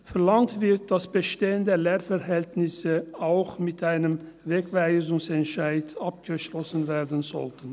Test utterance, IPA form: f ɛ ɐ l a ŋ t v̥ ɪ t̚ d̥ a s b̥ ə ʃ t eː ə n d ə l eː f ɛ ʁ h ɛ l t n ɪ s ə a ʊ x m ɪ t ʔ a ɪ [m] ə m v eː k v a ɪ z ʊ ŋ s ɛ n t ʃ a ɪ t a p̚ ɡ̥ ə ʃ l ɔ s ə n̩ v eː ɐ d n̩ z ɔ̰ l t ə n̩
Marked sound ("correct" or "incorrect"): incorrect